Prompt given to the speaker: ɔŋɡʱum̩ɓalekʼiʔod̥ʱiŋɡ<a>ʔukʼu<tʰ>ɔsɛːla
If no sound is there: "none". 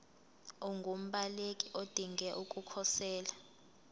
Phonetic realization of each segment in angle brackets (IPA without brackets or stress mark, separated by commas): ɛ, kʰ